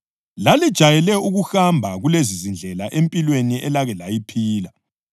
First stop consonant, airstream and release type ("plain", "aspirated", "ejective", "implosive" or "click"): plain